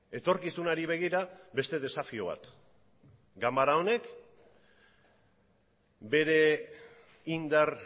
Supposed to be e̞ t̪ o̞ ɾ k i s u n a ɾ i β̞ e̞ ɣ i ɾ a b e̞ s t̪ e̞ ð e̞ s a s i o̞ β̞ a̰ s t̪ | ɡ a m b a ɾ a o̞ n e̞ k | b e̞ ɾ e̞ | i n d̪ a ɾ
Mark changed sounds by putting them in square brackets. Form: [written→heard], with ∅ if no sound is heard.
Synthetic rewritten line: e̞ t̪ o̞ ɾ k i s u n a ɾ i β̞ e̞ ɣ i ɾ a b e̞ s t̪ e̞ ð e̞ s a [s→f] i o̞ β̞ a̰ [s→∅] t̪ | ɡ a m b a ɾ a o̞ n e̞ k | b e̞ ɾ e̞ | i n d̪ a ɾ